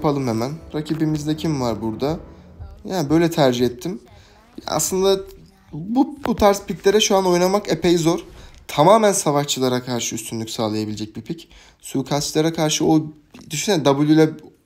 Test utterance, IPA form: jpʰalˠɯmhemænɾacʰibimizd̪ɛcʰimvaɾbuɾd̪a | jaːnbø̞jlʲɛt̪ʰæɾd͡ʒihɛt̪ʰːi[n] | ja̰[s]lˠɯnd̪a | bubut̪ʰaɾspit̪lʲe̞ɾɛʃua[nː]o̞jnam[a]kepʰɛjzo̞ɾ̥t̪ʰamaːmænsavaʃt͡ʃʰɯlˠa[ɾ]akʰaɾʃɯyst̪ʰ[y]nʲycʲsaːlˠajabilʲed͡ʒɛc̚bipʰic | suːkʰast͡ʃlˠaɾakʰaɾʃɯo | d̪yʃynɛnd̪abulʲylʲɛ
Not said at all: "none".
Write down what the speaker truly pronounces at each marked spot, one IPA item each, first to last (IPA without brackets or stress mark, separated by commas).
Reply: m, s, n, a, ɾ, y